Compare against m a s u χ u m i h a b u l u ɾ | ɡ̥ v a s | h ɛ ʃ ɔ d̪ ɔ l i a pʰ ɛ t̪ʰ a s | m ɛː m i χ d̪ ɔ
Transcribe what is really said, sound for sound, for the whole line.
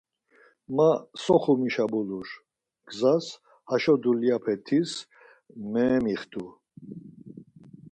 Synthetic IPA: m a s ɔ χ u m i ʃ a b u l u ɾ | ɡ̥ z a s | h a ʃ ɔ d̪ u l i a pʰ ɛ t̪ʰ i s | m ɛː m i χ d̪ u